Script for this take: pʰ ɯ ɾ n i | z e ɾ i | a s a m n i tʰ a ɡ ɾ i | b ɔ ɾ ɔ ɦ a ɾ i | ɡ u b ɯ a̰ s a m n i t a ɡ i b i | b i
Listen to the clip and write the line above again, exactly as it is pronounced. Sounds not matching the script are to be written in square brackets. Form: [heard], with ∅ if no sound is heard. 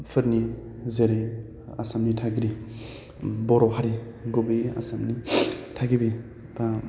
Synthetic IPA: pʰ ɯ ɾ n i | z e ɾ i | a s a m n i tʰ a ɡ ɾ i | b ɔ ɾ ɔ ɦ a ɾ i | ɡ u b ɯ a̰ s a m n i [tʰ] a ɡ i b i | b [a]